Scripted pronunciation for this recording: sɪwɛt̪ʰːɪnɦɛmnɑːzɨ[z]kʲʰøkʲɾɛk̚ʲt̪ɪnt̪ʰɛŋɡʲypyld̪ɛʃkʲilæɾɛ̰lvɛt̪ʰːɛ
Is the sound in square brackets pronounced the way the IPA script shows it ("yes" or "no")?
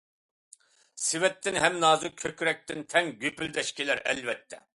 no